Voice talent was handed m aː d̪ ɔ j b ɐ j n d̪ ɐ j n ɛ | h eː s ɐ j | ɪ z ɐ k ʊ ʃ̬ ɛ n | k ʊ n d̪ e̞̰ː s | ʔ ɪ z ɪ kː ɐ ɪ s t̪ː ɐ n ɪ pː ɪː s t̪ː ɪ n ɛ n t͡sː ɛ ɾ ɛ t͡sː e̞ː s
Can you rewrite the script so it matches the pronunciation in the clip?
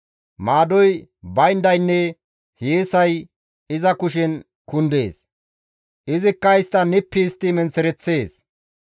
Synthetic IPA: m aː d̪ ɔ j b ɐ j n d̪ ɐ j nː ɛ | h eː s ɐ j | ɪ z ɐ k ʊ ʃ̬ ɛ n | k ʊ n d̪ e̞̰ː s | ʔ ɪ z ɪ kː ɐ ɪ s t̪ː ɐ n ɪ pː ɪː s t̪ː ɪ m ɛ n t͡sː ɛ ɾ ɛ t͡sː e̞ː s